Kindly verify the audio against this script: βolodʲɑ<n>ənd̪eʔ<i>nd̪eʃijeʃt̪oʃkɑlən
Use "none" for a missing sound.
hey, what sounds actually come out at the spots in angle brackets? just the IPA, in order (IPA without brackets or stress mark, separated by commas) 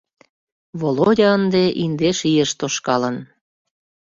none, i